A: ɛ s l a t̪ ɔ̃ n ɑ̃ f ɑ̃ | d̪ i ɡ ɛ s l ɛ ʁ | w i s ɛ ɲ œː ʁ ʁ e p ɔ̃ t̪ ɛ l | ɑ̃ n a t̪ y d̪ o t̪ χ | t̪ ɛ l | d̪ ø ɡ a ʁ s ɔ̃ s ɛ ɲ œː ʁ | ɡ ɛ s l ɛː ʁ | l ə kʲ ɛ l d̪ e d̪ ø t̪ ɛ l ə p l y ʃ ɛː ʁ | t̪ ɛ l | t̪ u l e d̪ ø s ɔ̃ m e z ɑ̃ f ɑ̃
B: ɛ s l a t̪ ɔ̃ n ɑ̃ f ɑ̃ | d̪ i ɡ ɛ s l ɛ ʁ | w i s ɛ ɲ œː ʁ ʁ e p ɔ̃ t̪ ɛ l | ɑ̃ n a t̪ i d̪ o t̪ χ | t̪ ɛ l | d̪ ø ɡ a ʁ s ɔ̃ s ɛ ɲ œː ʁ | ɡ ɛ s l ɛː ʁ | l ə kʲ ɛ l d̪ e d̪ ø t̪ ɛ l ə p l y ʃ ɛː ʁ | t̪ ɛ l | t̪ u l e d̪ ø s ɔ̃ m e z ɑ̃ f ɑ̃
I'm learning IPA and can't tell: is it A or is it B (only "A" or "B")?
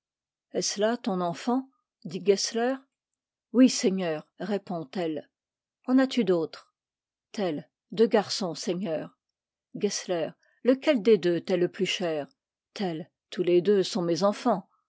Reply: A